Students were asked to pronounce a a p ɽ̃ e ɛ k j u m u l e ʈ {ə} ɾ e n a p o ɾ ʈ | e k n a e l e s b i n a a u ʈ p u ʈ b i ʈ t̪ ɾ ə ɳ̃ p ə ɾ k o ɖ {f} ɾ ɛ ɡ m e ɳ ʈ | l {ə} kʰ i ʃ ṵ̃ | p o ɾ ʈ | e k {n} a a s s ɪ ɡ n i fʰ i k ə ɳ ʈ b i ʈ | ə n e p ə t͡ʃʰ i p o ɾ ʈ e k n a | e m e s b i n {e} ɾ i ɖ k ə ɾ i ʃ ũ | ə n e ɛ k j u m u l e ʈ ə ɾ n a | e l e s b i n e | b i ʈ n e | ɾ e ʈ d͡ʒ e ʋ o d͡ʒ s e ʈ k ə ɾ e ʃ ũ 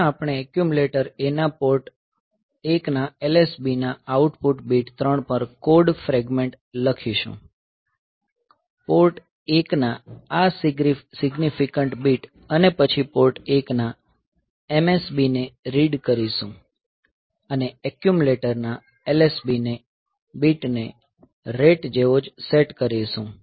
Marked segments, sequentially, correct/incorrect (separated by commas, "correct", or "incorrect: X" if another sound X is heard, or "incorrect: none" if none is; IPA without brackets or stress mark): correct, correct, correct, correct, correct